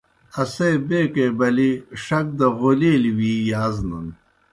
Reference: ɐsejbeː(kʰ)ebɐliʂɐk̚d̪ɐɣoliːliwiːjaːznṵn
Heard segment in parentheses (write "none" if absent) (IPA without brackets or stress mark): k